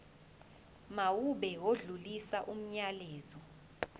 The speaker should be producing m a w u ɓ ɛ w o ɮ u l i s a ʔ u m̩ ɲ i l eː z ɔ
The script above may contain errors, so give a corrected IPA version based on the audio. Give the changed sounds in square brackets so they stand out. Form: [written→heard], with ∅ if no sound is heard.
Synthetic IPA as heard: m a w u ɓ ɛ w o ɮ u l i s a ʔ u m̩ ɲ [i→a] l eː z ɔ